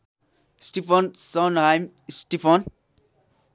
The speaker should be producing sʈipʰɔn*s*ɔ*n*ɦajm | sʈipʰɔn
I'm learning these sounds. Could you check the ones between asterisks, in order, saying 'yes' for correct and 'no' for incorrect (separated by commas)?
yes, yes